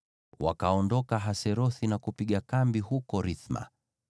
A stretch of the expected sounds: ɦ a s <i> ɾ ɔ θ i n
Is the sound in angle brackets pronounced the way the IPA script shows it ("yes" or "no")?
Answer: no